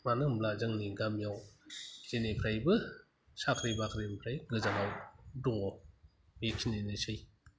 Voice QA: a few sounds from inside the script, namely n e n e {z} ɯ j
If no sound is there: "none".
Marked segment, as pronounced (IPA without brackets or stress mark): s